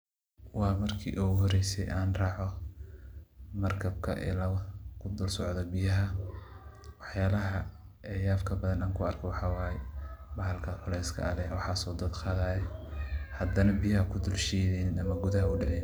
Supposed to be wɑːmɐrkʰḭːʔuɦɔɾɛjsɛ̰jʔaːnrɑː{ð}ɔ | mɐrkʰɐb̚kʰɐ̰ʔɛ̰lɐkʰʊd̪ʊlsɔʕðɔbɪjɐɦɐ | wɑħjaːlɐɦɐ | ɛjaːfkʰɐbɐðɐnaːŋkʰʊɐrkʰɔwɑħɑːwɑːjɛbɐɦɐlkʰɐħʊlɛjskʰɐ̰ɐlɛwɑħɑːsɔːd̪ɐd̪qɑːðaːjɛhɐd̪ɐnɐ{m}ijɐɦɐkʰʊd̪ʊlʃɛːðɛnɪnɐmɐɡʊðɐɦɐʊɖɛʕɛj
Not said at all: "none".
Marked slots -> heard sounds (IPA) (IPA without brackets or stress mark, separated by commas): ʕ, b